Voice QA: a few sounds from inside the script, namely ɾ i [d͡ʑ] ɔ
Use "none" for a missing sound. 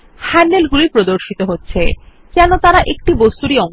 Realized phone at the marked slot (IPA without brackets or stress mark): none